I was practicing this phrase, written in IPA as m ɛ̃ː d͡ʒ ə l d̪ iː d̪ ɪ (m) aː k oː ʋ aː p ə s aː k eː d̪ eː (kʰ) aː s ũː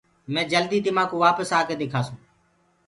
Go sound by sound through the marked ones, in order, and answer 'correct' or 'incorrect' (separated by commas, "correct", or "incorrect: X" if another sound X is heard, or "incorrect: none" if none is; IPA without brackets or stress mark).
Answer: correct, correct